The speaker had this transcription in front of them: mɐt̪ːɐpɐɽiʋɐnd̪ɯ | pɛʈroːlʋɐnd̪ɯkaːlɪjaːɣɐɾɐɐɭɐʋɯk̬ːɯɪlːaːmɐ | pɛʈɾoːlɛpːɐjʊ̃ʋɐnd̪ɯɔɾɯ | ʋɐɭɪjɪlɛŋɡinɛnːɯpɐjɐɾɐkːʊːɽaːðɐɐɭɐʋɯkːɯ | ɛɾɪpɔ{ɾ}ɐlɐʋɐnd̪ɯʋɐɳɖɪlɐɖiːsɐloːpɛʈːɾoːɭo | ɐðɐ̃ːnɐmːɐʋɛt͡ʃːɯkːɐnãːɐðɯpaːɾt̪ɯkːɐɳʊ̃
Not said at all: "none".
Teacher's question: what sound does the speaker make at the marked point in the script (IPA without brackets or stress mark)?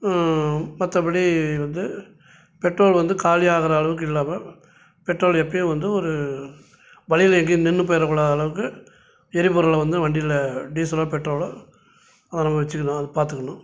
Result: ɾ